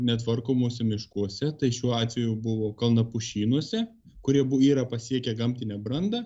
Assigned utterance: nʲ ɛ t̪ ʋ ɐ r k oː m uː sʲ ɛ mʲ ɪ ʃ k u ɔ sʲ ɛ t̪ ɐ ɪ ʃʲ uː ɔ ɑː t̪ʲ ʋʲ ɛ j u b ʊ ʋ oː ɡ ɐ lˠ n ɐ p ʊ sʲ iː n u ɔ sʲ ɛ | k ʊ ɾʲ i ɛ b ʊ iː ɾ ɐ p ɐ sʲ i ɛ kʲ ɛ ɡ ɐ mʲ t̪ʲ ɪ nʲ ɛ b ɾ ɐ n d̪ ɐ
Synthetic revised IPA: nʲ ɛ t̪ ʋ ɐ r k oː m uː sʲ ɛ mʲ ɪ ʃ k u ɔ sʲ ɛ t̪ ɐ ɪ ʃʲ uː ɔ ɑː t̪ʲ ʋʲ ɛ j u b ʊ ʋ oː k ɐ lˠ n ɐ p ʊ ʃʲ iː n u ɔ sʲ ɛ | k ʊ ɾʲ i ɛ b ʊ iː ɾ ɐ p ɐ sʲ i ɛ kʲ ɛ ɡ ɐ mʲ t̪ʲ ɪ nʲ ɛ b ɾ ɐ n d̪ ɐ